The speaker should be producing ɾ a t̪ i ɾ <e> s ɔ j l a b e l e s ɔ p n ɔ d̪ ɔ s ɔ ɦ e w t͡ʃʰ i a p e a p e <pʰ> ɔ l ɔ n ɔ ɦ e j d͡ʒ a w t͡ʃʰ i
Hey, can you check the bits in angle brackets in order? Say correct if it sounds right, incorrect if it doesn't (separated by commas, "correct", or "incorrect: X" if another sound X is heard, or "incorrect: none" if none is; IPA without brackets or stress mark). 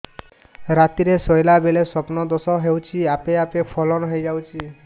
correct, correct